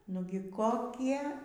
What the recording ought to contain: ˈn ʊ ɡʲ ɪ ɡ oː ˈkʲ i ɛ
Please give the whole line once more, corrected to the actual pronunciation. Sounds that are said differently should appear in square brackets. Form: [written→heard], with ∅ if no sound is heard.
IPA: ˈn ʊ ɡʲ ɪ [ɡ→k] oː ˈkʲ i ɛ